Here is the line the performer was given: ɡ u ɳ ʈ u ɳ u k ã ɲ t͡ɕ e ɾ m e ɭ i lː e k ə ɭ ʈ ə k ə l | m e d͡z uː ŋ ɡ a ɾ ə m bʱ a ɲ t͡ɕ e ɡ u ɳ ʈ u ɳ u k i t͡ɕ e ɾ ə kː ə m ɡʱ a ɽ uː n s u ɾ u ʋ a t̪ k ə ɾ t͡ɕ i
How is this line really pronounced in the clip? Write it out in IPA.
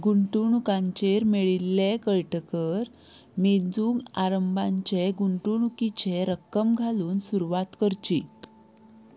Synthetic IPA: ɡ u ɳ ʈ u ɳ u k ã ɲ t͡ɕ e ɾ m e ɭ i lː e k ə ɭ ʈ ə k ə ɾ | m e d͡z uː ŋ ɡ a ɾ ə m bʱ a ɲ t͡ɕ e ɡ u ɳ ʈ u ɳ u k i t͡ɕ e ɾ ə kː ə m ɡʱ a l uː n s u ɾ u ʋ a t̪ k ə ɾ t͡ɕ i